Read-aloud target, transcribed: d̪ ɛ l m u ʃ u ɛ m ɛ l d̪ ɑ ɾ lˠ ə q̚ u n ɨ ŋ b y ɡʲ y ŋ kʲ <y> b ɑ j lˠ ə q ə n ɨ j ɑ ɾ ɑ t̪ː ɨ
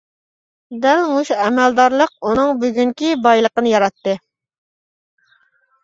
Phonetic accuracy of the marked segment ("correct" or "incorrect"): incorrect